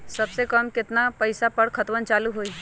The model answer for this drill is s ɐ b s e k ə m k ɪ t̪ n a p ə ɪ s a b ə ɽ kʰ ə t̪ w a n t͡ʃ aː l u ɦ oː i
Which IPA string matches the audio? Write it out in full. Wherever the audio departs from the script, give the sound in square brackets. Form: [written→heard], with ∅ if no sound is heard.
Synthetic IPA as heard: s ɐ b s e k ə m k ɪ t̪ n a p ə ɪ s a [b→p] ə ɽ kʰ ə t̪ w [a→ə] n t͡ʃ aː l u ɦ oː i